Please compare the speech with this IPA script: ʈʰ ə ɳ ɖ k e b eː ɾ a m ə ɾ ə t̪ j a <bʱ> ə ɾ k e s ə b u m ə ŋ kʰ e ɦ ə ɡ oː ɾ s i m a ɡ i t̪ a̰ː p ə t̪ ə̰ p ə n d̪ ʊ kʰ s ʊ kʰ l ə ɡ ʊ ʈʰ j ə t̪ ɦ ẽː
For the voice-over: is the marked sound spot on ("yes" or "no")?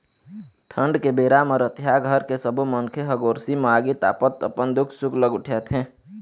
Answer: no